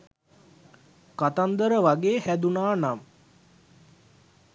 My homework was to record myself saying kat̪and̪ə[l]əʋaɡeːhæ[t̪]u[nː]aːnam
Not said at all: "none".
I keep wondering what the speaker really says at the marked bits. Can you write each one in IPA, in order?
ɾ, d̪, n

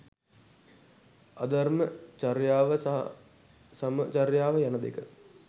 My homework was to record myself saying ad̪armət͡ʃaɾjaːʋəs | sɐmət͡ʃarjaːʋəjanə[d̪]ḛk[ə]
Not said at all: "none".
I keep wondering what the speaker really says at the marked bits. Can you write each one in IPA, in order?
d̪, ə

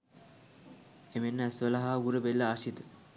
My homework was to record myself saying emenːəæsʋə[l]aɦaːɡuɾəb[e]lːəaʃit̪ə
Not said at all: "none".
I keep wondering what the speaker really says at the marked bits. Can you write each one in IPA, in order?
l, e

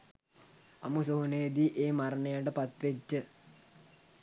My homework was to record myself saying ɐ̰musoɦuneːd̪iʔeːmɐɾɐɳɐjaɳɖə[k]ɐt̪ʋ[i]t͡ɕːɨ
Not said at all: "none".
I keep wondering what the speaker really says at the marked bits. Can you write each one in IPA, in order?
p, e

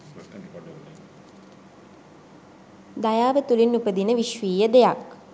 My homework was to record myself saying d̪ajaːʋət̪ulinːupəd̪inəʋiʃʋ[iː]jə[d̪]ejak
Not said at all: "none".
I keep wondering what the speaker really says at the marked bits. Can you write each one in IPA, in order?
iː, d̪

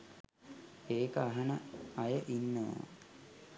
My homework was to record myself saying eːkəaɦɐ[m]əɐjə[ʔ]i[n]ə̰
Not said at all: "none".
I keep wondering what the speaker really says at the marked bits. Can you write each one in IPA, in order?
n, ʔ, nː

